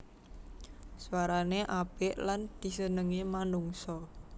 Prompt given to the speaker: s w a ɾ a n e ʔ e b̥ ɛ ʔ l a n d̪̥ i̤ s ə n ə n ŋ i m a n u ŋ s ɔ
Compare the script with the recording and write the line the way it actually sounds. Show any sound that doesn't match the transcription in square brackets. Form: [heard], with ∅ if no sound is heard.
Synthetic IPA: s w a ɾ a n e ʔ [a] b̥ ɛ ʔ l a n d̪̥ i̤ s ə n ə [∅] ŋ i m a n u ŋ s ɔ

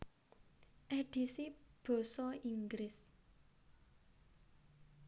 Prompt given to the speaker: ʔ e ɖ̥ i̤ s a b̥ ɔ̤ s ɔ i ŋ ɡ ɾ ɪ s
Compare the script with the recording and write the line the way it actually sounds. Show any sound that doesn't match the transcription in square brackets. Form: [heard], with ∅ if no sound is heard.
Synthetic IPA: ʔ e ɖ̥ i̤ s [i] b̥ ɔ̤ s ɔ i ŋ ɡ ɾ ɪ s

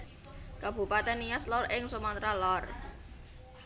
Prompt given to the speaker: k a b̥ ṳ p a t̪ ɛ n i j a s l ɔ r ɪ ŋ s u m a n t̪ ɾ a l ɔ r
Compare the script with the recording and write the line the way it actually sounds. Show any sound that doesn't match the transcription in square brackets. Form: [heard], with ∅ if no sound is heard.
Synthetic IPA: k a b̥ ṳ p a t̪ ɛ n i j a s l ɔ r ɪ ŋ s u m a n t̪ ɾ a l ɔ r

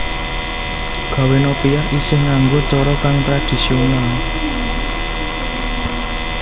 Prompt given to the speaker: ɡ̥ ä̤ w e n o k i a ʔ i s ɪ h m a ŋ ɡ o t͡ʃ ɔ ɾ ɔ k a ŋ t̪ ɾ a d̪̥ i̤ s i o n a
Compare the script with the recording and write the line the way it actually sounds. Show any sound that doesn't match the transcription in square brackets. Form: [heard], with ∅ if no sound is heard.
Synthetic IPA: ɡ̥ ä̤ w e n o [p] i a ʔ i s ɪ h [ŋ] a ŋ ɡ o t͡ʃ ɔ ɾ ɔ k a ŋ t̪ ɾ a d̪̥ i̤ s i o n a

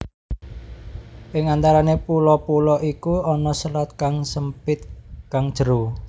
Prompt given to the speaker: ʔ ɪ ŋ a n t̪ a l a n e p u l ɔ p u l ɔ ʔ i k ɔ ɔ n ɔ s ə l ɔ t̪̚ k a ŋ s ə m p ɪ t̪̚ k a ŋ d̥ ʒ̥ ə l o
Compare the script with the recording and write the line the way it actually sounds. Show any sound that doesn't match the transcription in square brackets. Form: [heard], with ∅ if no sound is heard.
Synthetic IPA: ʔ ɪ ŋ a n t̪ a [ɾ] a n e p u l ɔ p u l ɔ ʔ i k [u] ɔ n ɔ s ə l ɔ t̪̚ k a ŋ s ə m p ɪ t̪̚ k a ŋ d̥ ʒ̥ ə [ɾ] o

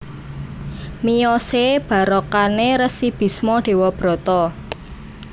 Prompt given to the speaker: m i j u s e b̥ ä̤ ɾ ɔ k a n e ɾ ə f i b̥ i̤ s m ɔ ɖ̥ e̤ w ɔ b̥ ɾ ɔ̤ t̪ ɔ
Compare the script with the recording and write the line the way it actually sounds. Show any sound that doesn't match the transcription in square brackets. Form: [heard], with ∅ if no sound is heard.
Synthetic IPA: m i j [ɔ] s e b̥ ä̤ ɾ ɔ k a n e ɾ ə [s] i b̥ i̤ s m ɔ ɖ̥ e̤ w ɔ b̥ ɾ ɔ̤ t̪ ɔ

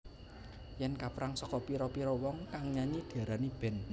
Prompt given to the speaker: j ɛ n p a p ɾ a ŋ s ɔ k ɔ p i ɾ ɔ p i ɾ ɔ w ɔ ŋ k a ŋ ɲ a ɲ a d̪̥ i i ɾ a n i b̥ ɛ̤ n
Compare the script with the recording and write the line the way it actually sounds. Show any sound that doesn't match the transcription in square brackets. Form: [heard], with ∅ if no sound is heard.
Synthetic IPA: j ɛ n [k] a p ɾ a ŋ s ɔ k ɔ p i ɾ ɔ p i ɾ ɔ w ɔ ŋ k a ŋ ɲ a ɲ [i] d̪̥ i [a] ɾ a n i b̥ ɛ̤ n

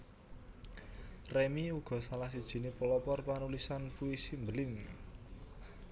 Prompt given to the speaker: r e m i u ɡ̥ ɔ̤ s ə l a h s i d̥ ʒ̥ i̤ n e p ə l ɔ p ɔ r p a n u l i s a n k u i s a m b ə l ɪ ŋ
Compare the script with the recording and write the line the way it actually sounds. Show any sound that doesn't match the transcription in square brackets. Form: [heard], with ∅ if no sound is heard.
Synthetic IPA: r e m i u ɡ̥ ɔ̤ s [a] l a h s i d̥ ʒ̥ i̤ n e p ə l ɔ p ɔ r p a n u l i s a n [p] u i s [i] m b ə l ɪ ŋ

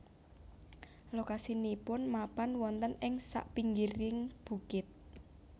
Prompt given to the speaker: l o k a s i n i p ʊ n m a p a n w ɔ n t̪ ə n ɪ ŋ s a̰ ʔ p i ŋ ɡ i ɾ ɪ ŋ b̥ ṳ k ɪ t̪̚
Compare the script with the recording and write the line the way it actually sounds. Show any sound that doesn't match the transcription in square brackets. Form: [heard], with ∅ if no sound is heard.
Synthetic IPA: l o k a s i n i p ʊ n m a p a n w ɔ n t̪ ə n ɪ ŋ s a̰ ʔ p i ŋ ɡ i ɾ ɪ ŋ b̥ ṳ k ɪ t̪̚

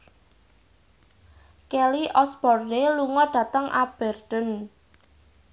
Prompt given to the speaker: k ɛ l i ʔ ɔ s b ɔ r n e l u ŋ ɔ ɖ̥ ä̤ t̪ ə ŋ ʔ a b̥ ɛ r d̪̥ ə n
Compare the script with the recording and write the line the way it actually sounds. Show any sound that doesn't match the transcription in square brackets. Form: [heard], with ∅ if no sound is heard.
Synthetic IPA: k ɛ l i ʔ ɔ s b ɔ r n e l u ŋ ɔ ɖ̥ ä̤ t̪ ə ŋ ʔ a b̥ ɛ r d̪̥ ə n

